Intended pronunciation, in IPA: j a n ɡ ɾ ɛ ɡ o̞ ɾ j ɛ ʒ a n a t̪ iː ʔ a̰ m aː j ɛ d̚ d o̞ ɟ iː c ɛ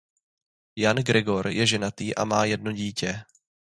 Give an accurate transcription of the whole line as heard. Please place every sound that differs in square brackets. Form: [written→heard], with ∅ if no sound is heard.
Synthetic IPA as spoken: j a n ɡ ɾ ɛ ɡ o̞ ɾ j ɛ ʒ [a→ɛ] n a t̪ iː ʔ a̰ m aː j ɛ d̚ [d→n] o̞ ɟ iː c ɛ